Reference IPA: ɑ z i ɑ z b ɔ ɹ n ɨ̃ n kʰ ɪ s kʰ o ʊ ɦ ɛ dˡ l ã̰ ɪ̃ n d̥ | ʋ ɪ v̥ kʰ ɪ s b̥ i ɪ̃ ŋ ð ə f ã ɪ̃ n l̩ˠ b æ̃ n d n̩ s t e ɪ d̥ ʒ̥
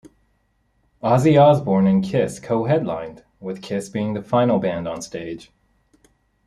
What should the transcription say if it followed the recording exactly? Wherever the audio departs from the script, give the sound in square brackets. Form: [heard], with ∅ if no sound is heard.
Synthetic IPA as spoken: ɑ z i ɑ z b ɔ ɹ n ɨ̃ n kʰ ɪ s kʰ o ʊ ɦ ɛ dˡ l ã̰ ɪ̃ n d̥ | [w] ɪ [ð̥] kʰ ɪ s b̥ i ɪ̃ ŋ ð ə f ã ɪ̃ n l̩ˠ b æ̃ n d n̩ s t e ɪ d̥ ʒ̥